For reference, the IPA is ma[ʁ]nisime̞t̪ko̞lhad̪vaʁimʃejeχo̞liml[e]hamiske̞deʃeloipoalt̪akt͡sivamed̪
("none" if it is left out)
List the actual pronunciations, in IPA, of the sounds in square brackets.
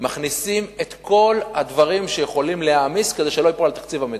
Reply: χ, e

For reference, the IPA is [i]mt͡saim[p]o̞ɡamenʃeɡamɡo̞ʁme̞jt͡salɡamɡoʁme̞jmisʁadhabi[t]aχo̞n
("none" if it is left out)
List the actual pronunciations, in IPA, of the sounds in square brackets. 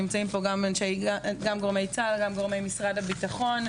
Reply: i, p, t

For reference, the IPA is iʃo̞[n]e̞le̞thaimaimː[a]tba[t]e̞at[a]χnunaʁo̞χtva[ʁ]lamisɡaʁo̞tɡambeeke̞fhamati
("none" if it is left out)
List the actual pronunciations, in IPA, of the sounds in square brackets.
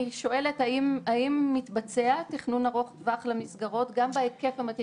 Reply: none, i, t͡s, i, χ

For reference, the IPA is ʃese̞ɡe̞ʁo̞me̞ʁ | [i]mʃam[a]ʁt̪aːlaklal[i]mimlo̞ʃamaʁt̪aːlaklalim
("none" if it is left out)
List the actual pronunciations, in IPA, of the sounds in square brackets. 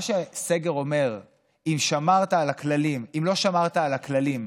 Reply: i, a, i

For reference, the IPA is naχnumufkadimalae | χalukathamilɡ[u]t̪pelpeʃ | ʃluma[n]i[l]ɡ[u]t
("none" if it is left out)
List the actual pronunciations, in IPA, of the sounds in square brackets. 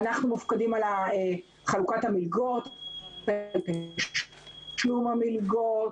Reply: o, m, l, o

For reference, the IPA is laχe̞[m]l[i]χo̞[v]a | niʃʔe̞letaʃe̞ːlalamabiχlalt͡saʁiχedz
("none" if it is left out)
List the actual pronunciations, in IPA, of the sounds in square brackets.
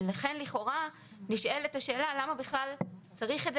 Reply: n, i, ʁ

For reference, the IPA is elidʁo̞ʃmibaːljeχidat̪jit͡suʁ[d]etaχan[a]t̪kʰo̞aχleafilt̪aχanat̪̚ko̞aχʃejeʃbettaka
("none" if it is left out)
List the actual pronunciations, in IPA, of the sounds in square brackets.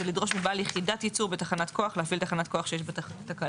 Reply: b, a

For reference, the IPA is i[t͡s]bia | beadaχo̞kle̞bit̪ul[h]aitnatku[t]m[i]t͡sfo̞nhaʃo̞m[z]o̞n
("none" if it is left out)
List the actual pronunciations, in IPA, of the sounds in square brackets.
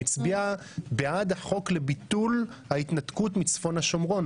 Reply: t͡s, h, t, i, ʁ

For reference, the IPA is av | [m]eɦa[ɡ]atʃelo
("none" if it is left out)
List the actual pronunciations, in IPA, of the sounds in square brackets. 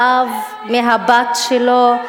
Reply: m, b

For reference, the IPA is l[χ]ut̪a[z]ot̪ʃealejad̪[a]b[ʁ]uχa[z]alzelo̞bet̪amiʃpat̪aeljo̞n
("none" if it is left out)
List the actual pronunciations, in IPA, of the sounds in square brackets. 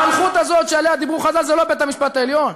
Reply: χ, z, i, ʁ, z

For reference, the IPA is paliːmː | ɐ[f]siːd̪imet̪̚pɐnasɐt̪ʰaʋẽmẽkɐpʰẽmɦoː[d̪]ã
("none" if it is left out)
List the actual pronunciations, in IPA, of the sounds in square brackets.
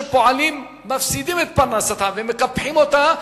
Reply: f, t̪

